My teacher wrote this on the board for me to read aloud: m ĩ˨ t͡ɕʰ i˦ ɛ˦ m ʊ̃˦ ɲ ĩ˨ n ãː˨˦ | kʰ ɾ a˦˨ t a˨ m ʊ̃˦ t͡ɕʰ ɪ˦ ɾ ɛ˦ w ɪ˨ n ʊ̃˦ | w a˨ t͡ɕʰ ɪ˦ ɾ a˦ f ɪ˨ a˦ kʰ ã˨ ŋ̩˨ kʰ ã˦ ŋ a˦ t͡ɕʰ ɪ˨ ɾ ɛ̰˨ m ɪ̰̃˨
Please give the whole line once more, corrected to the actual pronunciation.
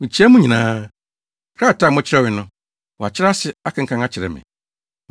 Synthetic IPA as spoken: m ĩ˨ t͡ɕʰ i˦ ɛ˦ m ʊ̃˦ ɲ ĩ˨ n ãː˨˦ | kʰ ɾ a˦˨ t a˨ m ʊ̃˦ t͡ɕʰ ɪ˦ ɾ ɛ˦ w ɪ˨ n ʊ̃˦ | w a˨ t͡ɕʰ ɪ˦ ɾ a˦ s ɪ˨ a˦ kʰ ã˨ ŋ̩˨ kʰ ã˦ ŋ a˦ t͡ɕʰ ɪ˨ ɾ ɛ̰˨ m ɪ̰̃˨